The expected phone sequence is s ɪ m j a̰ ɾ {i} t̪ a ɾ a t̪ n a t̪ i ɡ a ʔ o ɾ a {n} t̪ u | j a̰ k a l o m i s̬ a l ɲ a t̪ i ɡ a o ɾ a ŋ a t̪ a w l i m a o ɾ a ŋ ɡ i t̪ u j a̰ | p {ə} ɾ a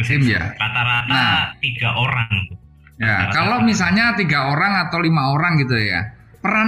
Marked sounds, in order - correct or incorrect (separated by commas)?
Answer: incorrect, incorrect, correct